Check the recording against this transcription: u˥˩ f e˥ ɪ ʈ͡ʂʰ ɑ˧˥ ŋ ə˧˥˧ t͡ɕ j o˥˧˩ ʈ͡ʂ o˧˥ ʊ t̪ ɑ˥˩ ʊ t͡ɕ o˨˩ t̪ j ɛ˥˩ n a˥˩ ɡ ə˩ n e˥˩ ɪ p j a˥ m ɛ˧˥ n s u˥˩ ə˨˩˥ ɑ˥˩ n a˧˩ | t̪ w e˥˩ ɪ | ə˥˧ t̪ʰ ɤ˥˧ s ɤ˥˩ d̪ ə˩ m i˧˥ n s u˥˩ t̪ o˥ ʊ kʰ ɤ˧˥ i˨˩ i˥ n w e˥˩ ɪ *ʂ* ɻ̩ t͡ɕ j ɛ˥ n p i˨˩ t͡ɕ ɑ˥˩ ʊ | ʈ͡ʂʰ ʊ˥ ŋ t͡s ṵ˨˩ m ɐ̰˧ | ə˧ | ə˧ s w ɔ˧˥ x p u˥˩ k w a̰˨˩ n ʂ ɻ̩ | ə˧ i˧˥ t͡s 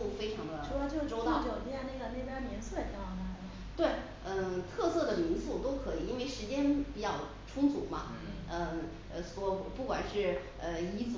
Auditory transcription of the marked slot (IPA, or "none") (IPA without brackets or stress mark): ʂ